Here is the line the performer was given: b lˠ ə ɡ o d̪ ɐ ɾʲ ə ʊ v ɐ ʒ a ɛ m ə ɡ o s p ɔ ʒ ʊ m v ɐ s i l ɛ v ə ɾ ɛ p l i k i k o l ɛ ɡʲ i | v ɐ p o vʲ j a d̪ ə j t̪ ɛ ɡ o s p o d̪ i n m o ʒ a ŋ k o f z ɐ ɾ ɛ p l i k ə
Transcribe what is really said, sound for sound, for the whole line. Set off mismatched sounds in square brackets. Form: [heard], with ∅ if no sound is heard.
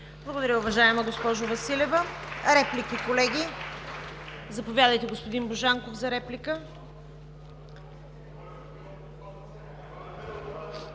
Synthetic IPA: b lˠ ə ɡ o d̪ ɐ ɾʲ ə ʊ v ɐ ʒ a ɛ m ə ɡ o s p ɔ ʒ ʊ [∅] v ɐ s i l ɛ v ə ɾ ɛ p l i k i k o l ɛ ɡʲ i | [z] ɐ p o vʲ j a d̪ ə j t̪ ɛ ɡ o s p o d̪ i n [b] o ʒ a ŋ k o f z ɐ ɾ ɛ p l i k ə